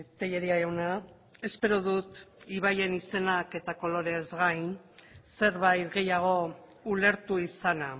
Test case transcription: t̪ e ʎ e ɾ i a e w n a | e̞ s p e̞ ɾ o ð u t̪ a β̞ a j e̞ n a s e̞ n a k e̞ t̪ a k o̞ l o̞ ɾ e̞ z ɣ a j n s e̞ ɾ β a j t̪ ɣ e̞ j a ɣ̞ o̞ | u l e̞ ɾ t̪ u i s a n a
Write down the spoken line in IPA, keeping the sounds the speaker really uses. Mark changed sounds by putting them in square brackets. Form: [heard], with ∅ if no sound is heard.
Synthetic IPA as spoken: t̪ e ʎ e ɾ i a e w n a | e̞ s p e̞ ɾ o ð u t̪ [i] β̞ a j e̞ n [i] s e̞ n a k e̞ t̪ a k o̞ l o̞ ɾ e̞ z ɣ a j n s e̞ ɾ β a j t̪ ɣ e̞ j a ɣ̞ o̞ | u l e̞ ɾ t̪ u i s a n a